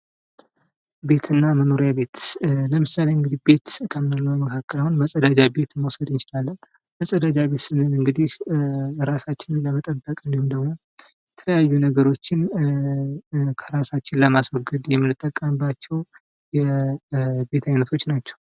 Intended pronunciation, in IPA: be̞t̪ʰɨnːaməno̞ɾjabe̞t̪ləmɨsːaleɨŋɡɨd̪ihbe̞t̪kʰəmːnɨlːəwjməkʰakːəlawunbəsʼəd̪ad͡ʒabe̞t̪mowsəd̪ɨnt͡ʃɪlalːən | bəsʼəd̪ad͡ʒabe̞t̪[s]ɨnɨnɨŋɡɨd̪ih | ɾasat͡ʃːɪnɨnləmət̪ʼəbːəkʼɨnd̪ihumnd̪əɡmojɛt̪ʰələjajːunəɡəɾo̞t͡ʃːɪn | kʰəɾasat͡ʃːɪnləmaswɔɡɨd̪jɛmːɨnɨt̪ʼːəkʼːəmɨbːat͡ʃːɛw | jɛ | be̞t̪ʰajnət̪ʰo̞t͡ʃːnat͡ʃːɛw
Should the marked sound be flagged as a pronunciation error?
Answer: no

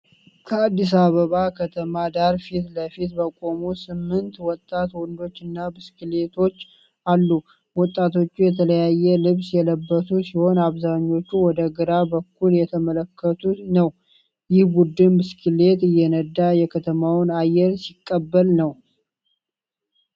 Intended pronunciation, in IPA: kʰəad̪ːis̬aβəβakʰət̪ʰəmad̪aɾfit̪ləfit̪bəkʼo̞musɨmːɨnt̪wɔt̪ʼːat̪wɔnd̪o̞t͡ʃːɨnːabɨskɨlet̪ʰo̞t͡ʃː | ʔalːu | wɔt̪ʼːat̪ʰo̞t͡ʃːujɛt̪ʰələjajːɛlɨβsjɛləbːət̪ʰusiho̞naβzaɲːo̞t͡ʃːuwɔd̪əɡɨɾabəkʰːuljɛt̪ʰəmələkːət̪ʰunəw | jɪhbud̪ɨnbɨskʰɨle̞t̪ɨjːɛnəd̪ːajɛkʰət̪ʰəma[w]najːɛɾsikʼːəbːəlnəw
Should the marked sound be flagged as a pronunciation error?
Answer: no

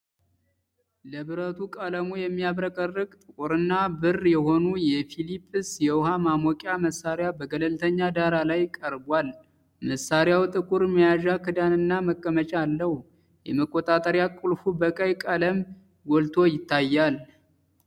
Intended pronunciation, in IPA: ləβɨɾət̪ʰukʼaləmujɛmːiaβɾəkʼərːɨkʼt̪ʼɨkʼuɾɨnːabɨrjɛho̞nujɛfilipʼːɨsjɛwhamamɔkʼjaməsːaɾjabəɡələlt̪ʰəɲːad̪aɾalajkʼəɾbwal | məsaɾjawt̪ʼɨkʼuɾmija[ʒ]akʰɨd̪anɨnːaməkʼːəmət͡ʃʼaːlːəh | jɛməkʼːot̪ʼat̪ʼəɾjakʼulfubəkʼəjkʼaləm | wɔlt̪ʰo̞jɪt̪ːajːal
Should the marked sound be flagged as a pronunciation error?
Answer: no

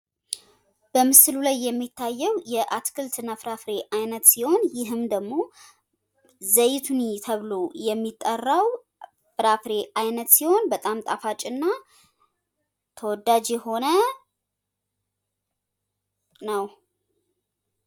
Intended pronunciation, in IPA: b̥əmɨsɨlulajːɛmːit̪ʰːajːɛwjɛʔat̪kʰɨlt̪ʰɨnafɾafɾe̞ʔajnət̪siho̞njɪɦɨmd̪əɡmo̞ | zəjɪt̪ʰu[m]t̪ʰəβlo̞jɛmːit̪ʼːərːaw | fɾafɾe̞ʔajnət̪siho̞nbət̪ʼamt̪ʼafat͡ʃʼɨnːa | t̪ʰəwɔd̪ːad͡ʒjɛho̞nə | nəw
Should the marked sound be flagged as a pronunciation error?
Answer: yes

